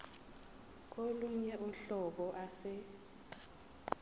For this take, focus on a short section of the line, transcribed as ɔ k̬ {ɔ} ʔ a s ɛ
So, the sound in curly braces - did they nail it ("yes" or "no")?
yes